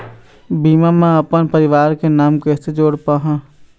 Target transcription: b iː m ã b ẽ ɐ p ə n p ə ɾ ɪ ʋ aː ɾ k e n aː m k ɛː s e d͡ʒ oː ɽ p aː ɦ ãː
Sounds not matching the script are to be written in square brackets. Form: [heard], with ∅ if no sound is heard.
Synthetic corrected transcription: b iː m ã [m] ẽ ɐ p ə n p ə ɾ ɪ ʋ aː ɾ k e n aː m k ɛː s e d͡ʒ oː ɽ p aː ɦ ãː